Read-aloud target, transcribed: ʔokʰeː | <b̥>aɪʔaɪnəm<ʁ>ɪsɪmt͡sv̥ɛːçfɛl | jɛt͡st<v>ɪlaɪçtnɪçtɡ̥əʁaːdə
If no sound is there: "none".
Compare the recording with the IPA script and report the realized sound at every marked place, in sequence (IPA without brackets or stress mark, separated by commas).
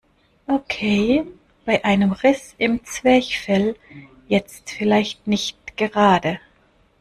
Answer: b̥, ʁ, f